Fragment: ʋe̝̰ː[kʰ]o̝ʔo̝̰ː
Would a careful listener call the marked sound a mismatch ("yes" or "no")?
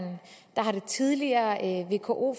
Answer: no